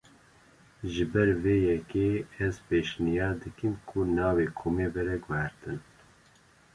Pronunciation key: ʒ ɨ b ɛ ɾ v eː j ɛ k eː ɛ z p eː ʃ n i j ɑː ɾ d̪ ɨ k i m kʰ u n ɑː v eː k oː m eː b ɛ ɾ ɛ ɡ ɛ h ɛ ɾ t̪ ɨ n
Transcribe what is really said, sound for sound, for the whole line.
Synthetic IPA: ʒ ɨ b ɛ ɾ v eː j ɛ k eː ɛ z p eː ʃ n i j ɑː ɾ d̪ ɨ k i m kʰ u n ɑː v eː kʰ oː m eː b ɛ ɾ ɛ ɡ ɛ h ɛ ɾ t̪ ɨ n